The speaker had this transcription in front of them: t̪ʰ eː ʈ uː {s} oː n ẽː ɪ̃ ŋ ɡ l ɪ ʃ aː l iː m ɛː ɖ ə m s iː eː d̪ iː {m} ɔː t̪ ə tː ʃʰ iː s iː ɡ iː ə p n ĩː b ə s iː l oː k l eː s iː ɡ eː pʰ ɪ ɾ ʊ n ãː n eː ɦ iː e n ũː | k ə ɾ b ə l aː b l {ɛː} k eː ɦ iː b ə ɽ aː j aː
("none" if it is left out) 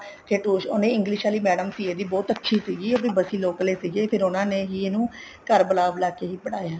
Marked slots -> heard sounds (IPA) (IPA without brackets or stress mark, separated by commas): ʃ, b, aː